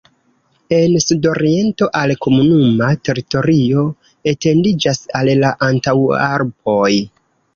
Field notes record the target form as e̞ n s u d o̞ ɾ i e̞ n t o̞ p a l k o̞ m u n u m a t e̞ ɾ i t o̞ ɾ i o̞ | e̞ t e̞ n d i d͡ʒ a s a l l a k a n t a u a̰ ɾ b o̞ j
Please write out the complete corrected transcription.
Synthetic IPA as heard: e̞ n s u d o̞ ɾ i e̞ n t o̞ ʔ a l k o̞ m u n u m a t e̞ ɾ i t o̞ ɾ i o̞ | e̞ t e̞ n d i d͡ʒ a s a l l a ʔ a n t a w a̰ ɾ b o̞ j

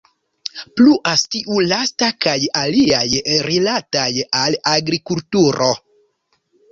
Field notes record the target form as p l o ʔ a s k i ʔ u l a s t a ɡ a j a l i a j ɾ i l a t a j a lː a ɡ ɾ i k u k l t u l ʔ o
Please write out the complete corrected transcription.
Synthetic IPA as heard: p l u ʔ a s t i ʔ u l a s t a k a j a l i a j ɾ i l a t a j a l a ɡ ɾ i k u l t u ɾ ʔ o

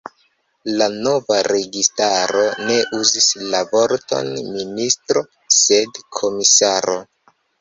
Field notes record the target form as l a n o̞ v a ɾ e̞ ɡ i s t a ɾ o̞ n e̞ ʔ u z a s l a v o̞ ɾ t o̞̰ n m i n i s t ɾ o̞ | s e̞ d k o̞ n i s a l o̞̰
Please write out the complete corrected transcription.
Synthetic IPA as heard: l a n o̞ v a ɾ e̞ ɡ i s t a ɾ o̞ n e̞ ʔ u z i s l a v o̞ ɾ t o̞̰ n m i n i s t ɾ o̞ | s e̞ d kʰ o̞ m i s a ɾ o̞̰

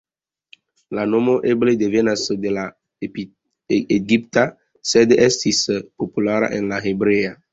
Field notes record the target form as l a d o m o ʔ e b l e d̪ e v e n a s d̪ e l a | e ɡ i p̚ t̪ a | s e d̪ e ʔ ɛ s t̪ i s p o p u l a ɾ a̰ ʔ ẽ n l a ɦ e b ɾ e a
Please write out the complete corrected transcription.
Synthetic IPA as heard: l a n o m o ʔ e b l e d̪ e v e n a s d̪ e l a | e ɡ i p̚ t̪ a | s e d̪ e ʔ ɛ s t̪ i s p o p u l a ɾ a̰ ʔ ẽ n l a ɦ e b ɾ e a

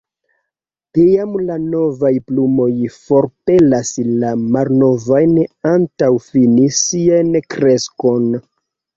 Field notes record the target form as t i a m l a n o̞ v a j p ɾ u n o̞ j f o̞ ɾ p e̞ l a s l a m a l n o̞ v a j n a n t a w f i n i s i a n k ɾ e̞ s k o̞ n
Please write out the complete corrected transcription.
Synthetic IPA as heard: t i a m l a n o̞ v a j p l u m o̞ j f o̞ ɾ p e̞ l a s l a m a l n o̞ v a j n a n t a w f i n i s i a n k ɾ e̞ s k o̞ n

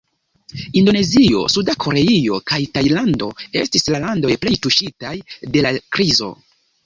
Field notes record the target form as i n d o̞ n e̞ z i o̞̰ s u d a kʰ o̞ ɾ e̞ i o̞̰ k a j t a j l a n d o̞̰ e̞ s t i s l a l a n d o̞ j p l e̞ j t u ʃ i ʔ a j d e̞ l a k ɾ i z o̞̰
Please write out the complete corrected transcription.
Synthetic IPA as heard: i n d o̞ n e̞ z i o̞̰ s u d a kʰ o̞ ɾ e̞ i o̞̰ k a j t a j l a n d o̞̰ e̞ s t i s l a l a n d o̞ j p l e̞ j t u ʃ i t a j d e̞ l a k ɾ i z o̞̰

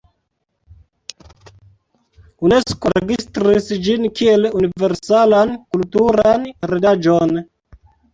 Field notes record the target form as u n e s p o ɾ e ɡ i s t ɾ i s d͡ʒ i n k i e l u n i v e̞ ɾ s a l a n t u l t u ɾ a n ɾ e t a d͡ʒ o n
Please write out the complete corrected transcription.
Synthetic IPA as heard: u n e s k o ɾ e ɡ i s t ɾ i s d͡ʒ i n k i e l u n i v e̞ ɾ s a l a n k u l t u ɾ a n ɾ e d a d͡ʒ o n

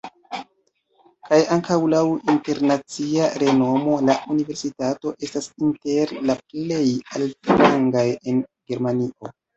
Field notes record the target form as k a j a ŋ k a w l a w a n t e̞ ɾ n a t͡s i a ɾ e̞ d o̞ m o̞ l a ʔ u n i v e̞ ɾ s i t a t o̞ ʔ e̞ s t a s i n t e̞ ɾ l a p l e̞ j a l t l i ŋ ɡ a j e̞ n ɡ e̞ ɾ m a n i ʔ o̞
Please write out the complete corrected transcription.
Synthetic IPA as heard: k a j a ŋ k a w l a w i n t e̞ ɾ n a t͡s i a ɾ e̞ n o̞ m o̞ l a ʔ u n i v e̞ ɾ s i t a t o̞ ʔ e̞ s t a s i n t e̞ ɾ l a p l e̞ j a l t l a ŋ ɡ a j e̞ n ɡ e̞ ɾ m a n i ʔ o̞

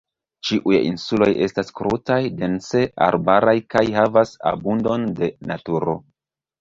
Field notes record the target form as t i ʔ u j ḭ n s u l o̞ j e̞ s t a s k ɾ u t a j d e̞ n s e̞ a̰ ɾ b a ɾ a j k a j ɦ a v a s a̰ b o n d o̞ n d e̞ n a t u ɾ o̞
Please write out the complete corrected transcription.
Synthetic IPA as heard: t͡ʃ i ʔ u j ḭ n s u l o̞ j e̞ s t a s k ɾ u t a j d e̞ n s e̞ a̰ ɾ b a ɾ a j k a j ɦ a v a s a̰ b u n d o̞ n d e̞ n a t u ɾ o̞

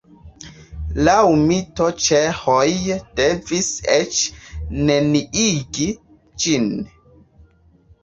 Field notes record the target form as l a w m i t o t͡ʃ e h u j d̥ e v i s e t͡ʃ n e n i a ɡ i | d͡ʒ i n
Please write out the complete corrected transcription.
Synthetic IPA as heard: l a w m i t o t͡ʃ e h o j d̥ e v i s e t͡ʃ n e n i i ɡ i | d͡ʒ i n

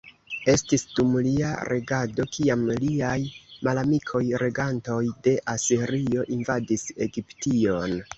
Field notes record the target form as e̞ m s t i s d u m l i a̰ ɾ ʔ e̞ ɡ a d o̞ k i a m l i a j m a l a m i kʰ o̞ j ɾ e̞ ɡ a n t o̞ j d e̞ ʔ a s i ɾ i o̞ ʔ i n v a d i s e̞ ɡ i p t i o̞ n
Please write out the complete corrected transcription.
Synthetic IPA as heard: e̞ s t i s d u m l i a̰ ɾ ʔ e̞ ɡ a d o̞ k i a m l i a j m a l a m i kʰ o̞ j ɾ e̞ ɡ a n t o̞ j d e̞ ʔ a s i ɾ i o̞ ʔ i n v a d i s e̞ ɡ i p t i o̞ n

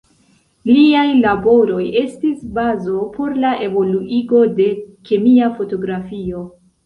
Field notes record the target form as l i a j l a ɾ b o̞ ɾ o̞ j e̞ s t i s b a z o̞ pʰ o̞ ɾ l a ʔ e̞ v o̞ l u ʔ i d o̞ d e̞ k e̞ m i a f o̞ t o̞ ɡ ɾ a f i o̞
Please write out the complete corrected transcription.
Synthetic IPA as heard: l i a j l a b o̞ ɾ o̞ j e̞ s t i s b a z o̞ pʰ o̞ ɾ l a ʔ e̞ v o̞ l u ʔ i ɡ o̞ d e̞ k e̞ m i a f o̞ t o̞ ɡ ɾ a f i o̞

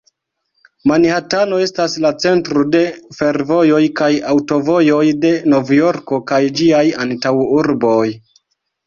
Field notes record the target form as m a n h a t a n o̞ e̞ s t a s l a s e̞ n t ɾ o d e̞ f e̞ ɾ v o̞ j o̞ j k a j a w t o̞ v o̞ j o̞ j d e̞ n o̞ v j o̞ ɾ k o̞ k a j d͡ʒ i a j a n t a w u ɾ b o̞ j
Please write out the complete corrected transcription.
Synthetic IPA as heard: m a n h a t a n o̞ e̞ s t a s l a t͡s e̞ n t ɾ o d e̞ f e̞ ɾ v o̞ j o̞ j k a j a w t o̞ v o̞ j o̞ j d e̞ n o̞ v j o̞ ɾ k o̞ k a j d͡ʒ i a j a n t a w u ɾ b o̞ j

